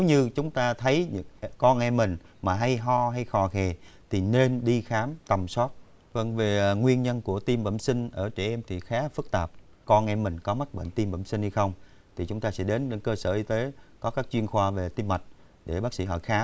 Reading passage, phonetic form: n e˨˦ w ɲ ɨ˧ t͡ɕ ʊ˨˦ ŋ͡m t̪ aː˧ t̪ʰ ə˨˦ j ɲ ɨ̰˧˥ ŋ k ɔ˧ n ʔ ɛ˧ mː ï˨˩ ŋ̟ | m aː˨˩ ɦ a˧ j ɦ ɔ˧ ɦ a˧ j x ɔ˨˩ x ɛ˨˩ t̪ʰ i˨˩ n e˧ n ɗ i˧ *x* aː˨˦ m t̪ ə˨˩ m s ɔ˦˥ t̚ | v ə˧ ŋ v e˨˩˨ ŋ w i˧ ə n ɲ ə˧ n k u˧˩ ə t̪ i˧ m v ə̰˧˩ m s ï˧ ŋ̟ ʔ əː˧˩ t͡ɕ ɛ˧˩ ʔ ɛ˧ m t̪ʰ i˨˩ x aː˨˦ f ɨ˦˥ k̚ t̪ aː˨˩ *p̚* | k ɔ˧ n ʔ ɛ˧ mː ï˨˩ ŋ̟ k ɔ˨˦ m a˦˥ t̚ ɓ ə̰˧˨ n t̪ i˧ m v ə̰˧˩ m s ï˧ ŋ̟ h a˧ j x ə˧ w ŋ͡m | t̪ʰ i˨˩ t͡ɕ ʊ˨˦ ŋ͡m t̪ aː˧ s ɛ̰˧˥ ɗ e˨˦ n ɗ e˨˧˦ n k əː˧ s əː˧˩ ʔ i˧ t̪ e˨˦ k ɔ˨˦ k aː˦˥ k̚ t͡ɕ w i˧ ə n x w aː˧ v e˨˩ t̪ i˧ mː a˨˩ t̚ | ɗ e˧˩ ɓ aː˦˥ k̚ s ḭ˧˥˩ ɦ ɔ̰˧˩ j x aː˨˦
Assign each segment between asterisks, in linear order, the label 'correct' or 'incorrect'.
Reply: correct, correct

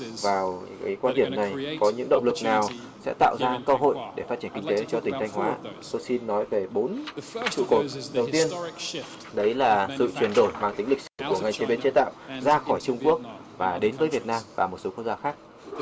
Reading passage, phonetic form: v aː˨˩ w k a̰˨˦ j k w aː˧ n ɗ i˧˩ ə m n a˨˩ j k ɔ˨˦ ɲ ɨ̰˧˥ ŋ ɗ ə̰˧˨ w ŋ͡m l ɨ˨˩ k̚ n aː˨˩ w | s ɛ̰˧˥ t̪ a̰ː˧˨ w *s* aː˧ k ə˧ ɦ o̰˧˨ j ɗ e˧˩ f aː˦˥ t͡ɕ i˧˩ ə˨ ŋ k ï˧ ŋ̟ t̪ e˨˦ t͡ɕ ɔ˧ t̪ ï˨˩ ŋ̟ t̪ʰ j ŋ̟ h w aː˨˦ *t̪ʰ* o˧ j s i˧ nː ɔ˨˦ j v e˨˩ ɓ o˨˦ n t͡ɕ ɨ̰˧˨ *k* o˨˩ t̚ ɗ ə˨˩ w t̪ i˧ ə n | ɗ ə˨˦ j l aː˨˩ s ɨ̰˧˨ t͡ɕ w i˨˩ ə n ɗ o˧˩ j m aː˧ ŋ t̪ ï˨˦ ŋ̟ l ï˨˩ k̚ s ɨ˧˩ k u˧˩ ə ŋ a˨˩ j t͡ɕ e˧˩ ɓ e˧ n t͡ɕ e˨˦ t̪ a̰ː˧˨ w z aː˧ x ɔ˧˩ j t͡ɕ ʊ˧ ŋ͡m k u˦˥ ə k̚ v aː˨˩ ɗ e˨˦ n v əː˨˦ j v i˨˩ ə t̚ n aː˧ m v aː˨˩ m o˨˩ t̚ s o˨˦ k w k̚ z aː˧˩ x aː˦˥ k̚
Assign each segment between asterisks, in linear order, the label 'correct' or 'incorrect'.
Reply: incorrect: z, incorrect: t̪, correct

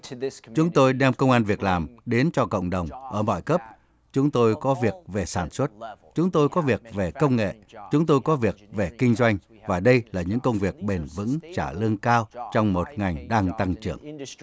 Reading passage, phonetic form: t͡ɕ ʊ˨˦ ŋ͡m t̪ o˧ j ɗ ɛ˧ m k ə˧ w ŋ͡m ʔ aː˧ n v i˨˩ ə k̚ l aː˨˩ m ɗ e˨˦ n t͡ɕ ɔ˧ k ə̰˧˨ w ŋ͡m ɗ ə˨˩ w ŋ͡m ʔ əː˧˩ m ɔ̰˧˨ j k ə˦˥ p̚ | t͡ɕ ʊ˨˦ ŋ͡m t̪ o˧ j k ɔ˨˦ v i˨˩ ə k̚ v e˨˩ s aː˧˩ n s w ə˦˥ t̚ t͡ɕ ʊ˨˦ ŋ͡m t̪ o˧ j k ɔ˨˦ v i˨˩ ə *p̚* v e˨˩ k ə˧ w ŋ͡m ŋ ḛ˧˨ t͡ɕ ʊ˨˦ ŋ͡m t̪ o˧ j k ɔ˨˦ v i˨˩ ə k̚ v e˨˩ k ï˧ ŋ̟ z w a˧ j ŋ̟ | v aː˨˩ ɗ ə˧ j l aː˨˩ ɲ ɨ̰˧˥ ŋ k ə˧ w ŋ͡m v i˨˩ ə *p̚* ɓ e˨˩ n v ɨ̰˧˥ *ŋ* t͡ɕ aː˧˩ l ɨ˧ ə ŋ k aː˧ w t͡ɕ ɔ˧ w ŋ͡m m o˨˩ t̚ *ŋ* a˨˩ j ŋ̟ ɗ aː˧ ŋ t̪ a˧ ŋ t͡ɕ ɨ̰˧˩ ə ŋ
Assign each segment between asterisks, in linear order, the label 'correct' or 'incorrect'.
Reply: incorrect: k̚, incorrect: k̚, correct, correct

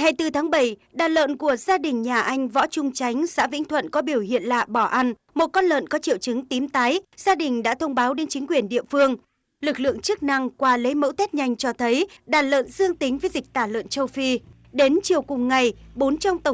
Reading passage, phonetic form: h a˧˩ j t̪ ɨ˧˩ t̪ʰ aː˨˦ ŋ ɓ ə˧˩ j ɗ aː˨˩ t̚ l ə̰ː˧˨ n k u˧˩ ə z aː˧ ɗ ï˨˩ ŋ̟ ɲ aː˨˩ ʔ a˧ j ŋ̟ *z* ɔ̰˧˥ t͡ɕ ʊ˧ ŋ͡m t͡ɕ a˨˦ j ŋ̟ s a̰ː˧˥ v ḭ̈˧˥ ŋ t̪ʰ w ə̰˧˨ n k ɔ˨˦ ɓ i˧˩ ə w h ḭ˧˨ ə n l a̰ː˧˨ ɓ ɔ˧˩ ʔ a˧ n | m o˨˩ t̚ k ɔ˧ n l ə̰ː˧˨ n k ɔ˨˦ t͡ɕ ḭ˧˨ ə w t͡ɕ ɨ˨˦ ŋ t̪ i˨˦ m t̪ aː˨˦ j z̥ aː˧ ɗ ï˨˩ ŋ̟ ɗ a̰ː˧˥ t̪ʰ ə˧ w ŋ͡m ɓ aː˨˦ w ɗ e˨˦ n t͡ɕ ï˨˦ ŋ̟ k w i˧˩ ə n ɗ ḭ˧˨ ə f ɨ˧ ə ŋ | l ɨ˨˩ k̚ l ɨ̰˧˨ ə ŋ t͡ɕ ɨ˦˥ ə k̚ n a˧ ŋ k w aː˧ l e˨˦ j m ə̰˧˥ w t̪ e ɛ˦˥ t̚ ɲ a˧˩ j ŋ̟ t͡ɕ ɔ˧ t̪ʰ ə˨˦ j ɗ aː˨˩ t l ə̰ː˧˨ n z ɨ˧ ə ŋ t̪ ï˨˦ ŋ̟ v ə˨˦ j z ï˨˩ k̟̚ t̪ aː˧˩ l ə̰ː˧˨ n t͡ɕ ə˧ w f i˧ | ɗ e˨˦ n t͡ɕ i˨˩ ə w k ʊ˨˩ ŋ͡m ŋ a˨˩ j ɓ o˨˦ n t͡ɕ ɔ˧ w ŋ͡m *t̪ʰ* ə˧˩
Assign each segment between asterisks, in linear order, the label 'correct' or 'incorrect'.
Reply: incorrect: v, incorrect: t̪

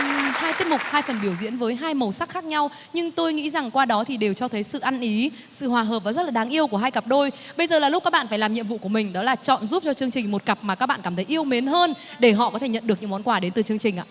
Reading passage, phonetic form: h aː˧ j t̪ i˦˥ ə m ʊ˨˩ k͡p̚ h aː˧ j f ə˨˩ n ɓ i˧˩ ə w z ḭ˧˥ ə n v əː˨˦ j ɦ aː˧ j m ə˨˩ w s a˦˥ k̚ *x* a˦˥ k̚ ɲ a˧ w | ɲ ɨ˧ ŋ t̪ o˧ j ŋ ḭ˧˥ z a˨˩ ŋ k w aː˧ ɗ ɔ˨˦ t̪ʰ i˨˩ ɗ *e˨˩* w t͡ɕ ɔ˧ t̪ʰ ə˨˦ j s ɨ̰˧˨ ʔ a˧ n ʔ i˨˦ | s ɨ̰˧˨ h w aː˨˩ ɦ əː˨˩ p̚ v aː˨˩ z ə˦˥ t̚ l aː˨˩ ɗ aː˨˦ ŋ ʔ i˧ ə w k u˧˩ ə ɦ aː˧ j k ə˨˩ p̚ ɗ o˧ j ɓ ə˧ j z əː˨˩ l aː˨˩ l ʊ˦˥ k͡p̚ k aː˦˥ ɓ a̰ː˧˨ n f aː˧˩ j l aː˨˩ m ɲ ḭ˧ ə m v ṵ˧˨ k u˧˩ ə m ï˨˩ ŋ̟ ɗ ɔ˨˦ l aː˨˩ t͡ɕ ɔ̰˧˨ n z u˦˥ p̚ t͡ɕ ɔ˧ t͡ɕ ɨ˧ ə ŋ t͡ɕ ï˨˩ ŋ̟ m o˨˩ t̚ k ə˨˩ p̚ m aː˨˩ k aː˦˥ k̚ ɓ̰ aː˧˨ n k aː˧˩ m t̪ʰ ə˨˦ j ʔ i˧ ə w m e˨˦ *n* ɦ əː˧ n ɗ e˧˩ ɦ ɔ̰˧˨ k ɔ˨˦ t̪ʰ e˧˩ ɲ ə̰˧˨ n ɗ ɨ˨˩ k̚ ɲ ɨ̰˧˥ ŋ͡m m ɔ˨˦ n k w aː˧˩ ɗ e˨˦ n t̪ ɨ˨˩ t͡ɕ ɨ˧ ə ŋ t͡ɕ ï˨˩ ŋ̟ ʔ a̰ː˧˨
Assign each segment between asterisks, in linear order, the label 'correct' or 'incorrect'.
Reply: correct, correct, correct

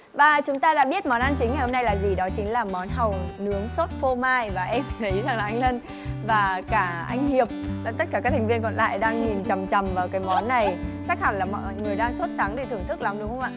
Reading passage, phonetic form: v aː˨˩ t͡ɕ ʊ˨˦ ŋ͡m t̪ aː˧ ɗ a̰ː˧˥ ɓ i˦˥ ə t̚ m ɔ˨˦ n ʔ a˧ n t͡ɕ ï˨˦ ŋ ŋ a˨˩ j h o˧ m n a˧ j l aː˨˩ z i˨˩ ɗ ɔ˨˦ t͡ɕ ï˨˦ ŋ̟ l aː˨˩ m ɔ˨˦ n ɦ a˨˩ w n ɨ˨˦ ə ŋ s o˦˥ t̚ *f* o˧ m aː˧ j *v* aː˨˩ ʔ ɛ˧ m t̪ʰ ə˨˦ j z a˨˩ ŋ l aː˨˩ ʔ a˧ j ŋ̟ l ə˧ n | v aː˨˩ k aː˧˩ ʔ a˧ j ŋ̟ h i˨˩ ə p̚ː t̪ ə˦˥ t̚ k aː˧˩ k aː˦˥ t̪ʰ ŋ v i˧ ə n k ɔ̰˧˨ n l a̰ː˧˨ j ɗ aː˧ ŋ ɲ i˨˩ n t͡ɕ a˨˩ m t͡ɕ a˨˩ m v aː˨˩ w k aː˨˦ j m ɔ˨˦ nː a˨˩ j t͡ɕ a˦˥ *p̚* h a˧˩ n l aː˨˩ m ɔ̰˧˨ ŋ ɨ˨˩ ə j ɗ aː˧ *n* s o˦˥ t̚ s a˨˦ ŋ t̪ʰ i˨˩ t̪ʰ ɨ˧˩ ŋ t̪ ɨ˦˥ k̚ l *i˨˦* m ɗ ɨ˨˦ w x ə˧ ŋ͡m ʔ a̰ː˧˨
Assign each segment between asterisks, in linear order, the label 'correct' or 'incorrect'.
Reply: correct, correct, incorrect: k̚, incorrect: ŋ, incorrect: a˨˦

